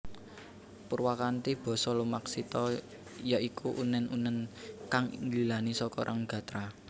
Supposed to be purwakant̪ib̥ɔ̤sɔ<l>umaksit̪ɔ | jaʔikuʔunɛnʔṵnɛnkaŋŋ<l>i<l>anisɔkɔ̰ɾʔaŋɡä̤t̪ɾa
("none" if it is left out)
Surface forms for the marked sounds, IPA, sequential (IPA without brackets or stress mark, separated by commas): l, l, l